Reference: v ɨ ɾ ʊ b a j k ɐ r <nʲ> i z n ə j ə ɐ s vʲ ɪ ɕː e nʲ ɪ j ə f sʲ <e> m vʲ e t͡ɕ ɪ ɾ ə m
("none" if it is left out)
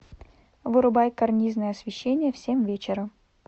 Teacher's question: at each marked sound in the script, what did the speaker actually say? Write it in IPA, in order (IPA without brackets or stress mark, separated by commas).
nʲ, e